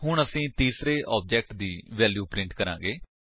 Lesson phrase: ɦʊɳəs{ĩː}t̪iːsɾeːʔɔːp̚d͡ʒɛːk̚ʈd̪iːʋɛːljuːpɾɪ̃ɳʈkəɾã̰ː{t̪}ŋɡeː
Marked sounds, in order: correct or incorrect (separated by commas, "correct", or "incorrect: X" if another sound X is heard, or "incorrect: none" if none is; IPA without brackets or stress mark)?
correct, incorrect: none